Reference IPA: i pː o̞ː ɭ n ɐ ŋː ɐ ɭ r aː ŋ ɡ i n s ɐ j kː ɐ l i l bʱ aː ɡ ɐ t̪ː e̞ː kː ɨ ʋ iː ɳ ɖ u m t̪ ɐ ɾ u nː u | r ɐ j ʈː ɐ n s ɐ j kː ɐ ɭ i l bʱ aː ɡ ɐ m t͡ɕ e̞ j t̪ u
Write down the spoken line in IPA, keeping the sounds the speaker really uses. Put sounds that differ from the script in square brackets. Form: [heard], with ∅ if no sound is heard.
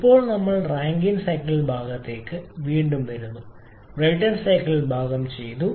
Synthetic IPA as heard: i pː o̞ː ɭ n ɐ [mː] ɐ ɭ r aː ŋ ɡ i n s ɐ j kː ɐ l i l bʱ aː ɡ ɐ t̪ː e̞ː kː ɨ ʋ iː ɳ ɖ u m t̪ ɐ ɾ u nː u | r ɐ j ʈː ɐ n s ɐ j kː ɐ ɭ i l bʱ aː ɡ ɐ m t͡ɕ e̞ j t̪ u